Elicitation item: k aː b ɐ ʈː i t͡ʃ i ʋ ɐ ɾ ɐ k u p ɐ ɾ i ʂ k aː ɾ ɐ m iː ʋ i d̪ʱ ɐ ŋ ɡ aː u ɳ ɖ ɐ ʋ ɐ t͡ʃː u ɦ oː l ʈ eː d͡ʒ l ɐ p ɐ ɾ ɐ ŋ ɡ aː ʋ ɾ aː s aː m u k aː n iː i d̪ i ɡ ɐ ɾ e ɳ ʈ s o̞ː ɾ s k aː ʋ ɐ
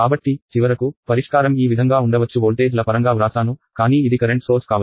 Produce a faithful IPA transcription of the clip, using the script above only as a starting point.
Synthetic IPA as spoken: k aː b ɐ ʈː i t͡ʃ i ʋ ɐ ɾ ɐ k u p ɐ ɾ i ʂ k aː ɾ ɐ m iː ʋ i d̪ʱ ɐ ŋ ɡ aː u ɳ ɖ ɐ ʋ ɐ t͡ʃː u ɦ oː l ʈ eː d͡ʒ l ɐ p ɐ ɾ ɐ ŋ ɡ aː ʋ ɾ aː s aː n u k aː n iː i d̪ i k ɐ ɾ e ɳ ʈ s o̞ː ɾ s k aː ʋ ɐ